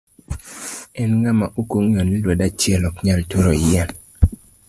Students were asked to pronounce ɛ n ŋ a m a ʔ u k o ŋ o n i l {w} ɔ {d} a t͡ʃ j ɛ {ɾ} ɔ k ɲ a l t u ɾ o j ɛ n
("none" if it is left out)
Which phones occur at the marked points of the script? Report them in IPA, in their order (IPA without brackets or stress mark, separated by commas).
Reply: w, d, l